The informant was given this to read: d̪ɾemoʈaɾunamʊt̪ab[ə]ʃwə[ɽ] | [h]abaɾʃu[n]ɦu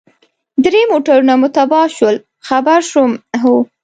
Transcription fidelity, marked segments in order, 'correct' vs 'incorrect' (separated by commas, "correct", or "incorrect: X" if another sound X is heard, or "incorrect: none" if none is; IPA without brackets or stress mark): incorrect: ɑ, incorrect: l, incorrect: x, incorrect: m